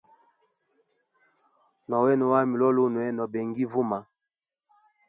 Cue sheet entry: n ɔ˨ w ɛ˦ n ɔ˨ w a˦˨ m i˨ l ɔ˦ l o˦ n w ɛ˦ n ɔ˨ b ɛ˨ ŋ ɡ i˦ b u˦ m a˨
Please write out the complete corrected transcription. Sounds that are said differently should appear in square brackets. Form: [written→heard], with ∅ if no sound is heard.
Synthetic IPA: n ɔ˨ w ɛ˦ n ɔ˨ w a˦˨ m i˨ l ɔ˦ l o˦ n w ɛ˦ n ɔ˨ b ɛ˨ ŋ ɡ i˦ [b→v] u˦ m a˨